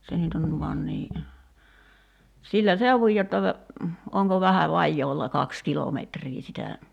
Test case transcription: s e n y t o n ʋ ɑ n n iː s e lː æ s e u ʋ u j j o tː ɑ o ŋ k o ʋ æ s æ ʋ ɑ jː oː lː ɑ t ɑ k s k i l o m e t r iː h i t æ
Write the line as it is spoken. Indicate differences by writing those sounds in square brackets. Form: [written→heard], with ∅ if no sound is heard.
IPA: s e n y t o n ʋ ɑ n n iː s [e→i] lː æ s e u ʋ u j j o tː ɑ o ŋ k o ʋ æ [s→h] æ ʋ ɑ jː oː lː ɑ [t→k] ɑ k s k i l o m e t r iː [h→s] i t æ